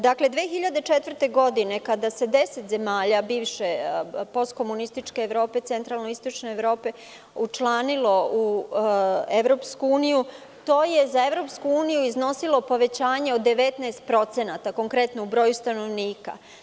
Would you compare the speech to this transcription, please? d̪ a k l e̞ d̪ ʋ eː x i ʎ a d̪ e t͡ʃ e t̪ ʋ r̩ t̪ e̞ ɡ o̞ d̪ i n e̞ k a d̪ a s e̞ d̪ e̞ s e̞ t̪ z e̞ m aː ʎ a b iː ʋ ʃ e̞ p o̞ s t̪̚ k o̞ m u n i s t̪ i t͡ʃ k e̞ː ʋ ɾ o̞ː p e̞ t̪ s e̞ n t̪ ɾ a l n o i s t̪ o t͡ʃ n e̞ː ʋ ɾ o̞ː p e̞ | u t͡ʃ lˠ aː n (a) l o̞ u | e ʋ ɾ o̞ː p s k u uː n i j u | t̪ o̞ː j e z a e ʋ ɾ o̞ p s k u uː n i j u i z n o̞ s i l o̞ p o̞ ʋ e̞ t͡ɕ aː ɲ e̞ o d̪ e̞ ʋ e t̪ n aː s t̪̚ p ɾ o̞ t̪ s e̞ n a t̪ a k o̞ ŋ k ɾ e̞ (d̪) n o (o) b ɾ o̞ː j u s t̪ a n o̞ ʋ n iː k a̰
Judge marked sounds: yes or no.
no, no, no

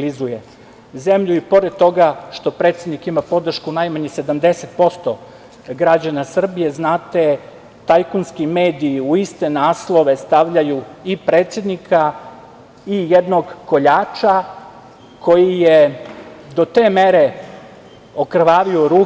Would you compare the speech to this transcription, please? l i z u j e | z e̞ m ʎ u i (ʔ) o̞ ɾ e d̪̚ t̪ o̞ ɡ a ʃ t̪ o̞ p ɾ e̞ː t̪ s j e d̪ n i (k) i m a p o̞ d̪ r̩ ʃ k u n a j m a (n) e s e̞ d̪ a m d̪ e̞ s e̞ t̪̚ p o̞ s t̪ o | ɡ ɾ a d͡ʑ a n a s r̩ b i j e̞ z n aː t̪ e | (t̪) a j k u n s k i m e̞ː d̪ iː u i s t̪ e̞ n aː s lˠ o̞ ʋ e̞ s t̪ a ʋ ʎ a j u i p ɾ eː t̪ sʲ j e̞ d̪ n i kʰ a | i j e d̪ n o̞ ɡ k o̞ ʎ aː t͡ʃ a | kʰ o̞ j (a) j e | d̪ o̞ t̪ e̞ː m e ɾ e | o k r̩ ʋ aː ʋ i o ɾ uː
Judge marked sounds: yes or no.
no, yes, no, yes, no

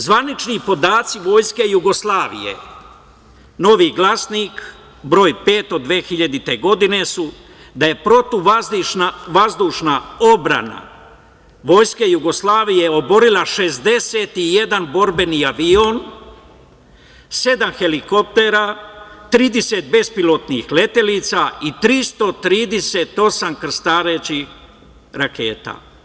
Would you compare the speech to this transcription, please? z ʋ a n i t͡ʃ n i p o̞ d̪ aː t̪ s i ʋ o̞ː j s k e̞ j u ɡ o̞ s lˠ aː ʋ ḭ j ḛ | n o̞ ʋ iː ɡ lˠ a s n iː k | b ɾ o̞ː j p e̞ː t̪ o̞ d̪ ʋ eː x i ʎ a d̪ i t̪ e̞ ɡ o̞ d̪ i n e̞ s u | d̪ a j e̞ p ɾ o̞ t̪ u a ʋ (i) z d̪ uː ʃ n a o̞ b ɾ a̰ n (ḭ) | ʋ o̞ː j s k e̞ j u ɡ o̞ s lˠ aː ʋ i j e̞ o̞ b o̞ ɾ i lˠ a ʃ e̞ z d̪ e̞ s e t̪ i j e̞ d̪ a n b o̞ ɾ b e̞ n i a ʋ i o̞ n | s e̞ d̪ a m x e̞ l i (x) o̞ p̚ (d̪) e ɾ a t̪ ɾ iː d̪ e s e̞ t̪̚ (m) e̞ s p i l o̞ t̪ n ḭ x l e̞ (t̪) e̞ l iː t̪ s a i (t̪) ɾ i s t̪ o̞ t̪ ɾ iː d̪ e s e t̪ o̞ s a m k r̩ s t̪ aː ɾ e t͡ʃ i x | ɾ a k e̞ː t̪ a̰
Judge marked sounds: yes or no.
no, no, no, no, no, yes, yes

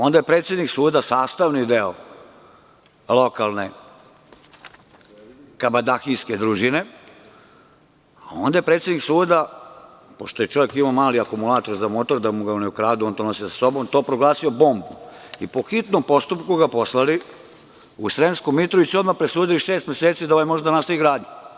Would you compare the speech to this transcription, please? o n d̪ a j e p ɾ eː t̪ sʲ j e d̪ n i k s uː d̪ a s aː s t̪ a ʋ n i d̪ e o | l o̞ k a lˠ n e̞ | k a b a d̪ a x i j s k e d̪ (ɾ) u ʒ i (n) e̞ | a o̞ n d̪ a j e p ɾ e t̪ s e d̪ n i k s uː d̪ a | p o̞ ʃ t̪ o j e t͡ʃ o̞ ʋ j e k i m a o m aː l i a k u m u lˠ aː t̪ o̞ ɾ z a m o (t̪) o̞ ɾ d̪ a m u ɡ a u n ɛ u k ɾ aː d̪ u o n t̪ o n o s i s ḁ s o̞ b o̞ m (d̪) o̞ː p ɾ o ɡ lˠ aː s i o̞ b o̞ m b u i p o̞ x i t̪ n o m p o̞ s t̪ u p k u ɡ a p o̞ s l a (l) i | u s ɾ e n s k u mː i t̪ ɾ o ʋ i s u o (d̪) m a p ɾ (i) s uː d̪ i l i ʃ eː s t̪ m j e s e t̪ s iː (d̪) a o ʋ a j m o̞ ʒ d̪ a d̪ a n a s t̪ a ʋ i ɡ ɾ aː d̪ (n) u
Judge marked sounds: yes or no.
yes, yes, yes, no, yes, yes, no, yes, no

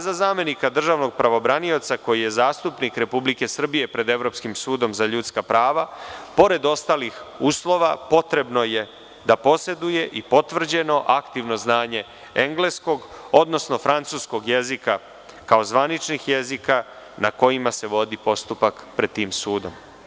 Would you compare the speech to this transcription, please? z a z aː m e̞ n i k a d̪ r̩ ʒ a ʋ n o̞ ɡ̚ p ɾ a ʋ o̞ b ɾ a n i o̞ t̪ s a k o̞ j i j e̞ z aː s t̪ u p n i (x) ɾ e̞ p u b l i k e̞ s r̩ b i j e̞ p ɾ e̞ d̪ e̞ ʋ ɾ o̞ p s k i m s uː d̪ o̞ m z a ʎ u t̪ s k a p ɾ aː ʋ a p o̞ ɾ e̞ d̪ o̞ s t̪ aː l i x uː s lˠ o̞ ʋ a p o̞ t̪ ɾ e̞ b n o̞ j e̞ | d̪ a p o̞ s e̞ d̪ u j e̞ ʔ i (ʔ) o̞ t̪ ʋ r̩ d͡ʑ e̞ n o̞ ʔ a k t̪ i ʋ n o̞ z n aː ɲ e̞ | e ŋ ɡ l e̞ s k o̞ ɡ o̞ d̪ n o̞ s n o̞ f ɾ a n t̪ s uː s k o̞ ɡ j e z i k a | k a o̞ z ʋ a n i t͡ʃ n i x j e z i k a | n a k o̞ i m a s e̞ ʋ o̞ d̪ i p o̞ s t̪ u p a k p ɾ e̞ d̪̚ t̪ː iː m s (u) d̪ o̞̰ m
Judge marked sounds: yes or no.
no, no, no

